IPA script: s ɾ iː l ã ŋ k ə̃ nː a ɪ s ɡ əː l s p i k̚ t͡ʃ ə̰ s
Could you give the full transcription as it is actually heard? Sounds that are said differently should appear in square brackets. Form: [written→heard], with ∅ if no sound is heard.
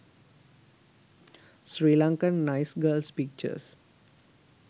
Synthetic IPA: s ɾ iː l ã ŋ k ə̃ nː a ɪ s ɡ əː l s p i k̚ t͡ʃ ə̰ s